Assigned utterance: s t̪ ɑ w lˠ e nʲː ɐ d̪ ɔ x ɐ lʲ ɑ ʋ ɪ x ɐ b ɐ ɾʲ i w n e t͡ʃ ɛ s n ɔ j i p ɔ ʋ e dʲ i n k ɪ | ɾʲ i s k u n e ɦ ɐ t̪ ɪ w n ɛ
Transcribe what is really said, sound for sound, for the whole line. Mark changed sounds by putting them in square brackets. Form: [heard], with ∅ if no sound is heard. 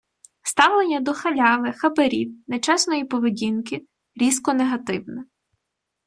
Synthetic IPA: s t̪ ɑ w lˠ e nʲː ɐ d̪ ɔ x ɐ lʲ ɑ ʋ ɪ x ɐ b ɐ ɾʲ i w n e t͡ʃ ɛ s n ɔ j i p ɔ ʋ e dʲ i n k ɪ | ɾʲ i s k [ɔ] n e ɦ ɐ t̪ ɪ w n ɛ